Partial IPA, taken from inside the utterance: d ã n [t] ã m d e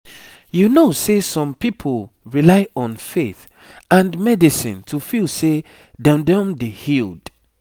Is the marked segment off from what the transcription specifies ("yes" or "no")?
yes